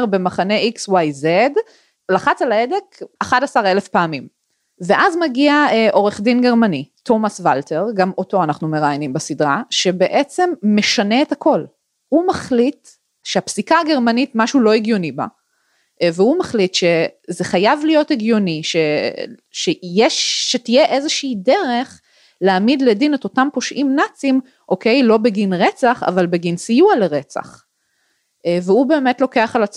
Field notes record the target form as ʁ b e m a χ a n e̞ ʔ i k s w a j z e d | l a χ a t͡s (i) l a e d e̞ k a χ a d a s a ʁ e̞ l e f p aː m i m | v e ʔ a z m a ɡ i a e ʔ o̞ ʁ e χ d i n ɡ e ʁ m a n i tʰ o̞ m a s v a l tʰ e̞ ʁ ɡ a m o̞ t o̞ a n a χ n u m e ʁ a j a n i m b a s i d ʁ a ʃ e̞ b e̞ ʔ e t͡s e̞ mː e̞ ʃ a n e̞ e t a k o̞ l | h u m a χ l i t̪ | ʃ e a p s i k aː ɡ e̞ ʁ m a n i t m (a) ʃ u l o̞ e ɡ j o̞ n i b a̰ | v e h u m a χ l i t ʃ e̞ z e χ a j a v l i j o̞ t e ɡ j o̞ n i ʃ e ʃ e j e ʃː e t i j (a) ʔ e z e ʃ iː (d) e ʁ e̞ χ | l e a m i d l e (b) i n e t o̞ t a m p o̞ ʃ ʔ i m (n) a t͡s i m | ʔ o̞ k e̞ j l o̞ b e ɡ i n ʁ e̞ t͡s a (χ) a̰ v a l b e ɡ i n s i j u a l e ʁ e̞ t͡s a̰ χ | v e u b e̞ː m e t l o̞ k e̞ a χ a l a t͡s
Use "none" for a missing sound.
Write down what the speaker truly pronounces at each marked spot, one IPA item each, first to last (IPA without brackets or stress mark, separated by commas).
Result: a, a, e, d, d, n, χ